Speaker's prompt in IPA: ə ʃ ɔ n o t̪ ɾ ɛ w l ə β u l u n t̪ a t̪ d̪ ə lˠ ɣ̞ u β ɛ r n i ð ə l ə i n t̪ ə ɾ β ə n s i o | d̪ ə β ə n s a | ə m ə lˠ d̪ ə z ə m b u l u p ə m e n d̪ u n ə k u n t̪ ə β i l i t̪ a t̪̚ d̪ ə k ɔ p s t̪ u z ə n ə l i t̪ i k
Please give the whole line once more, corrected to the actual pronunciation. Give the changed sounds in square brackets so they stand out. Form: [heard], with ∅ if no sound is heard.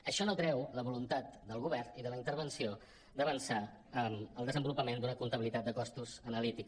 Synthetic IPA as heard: ə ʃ ɔ n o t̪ ɾ ɛ w l ə β u l u n t̪ a t̪ d̪ ə lˠ ɣ̞ u β ɛ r n i ð ə l ə i n t̪ ə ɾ β ə n s i o | d̪ ə β ə n s a | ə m ə lˠ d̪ ə z ə m b u l u p ə m e n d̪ u n ə k u n t̪ ə β i l i t̪ a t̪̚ d̪ ə k ɔ [∅] s t̪ u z ə n ə l i t̪ i k